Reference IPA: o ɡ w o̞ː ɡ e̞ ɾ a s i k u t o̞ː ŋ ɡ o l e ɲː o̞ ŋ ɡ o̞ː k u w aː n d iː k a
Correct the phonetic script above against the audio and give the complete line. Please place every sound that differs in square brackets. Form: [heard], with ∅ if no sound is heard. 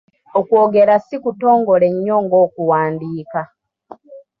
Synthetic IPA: o [k] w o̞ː ɡ e̞ ɾ a s i k u t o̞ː ŋ ɡ o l e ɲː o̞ ŋ ɡ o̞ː k u w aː n d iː k a